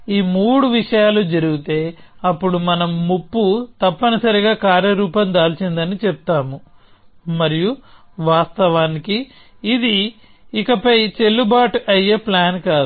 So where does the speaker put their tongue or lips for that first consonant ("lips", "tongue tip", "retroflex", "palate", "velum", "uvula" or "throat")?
lips